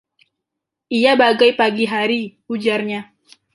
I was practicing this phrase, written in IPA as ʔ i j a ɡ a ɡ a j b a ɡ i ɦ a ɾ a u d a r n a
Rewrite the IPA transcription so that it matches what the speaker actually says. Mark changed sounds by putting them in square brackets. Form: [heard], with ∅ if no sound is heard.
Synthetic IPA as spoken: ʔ i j a [b] a ɡ a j [p] a ɡ i ɦ a ɾ [i] u [d͡ʒ] a r [ɲ] a